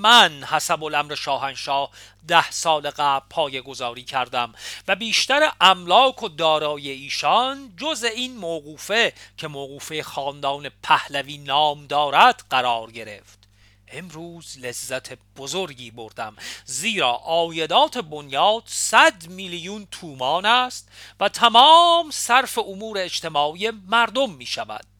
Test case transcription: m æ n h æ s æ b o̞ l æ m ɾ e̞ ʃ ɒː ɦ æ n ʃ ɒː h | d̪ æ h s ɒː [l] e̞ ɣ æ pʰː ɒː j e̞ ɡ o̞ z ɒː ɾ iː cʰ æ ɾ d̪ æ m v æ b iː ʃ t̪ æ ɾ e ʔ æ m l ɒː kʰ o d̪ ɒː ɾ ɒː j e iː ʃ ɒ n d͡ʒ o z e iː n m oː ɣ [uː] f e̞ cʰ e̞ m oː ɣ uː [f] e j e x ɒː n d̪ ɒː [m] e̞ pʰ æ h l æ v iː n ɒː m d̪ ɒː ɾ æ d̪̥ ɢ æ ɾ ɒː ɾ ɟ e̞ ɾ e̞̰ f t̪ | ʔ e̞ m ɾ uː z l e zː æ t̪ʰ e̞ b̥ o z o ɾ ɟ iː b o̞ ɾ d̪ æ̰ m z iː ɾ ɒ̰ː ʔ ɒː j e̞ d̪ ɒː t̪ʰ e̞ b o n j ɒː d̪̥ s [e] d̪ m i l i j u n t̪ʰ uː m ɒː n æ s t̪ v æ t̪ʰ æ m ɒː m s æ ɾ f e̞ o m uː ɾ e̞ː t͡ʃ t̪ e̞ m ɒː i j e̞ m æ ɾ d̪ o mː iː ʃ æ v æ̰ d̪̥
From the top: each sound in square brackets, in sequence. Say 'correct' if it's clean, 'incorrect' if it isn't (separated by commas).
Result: correct, correct, correct, incorrect, incorrect